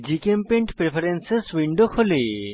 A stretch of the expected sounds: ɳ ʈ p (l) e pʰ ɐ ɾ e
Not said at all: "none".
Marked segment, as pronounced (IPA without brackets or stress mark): ɾ